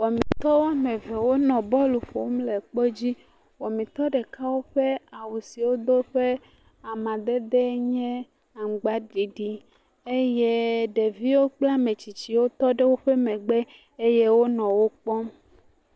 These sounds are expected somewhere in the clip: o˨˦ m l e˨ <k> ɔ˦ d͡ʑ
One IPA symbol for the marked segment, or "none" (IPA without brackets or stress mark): k͡p